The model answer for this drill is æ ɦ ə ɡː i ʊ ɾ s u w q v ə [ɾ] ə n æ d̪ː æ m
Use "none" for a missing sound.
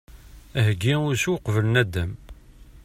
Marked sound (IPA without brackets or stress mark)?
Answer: l